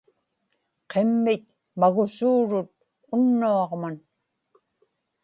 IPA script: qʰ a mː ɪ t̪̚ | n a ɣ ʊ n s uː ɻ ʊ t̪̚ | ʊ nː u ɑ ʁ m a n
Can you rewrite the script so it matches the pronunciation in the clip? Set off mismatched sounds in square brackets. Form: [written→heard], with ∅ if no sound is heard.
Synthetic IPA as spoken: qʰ [a→e] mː ɪ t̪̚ | [n→m] a ɣ ʊ [n→∅] s uː ɻ ʊ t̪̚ | ʊ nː u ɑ ʁ m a n